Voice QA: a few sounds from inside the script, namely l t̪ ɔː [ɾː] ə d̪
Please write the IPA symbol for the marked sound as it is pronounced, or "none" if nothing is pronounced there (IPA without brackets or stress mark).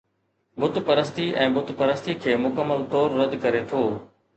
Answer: ɾː